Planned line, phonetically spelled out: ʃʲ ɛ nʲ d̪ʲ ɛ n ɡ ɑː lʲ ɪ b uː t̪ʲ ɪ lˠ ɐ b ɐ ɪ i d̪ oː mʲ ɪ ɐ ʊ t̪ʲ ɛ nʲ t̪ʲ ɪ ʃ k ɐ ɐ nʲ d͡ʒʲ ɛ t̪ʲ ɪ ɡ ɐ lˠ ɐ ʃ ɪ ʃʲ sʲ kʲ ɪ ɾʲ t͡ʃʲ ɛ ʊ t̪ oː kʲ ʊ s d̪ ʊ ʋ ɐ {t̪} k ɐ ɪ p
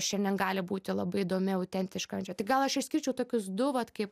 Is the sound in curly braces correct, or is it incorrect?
correct